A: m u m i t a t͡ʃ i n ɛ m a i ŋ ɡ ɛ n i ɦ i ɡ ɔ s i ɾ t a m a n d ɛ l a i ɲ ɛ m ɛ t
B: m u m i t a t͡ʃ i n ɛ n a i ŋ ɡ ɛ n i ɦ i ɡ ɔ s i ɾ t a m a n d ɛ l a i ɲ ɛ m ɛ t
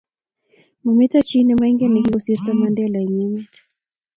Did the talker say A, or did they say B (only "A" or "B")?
A